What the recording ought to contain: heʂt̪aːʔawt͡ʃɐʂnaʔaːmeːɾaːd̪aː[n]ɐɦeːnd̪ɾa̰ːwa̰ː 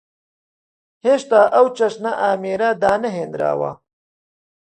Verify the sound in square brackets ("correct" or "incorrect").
correct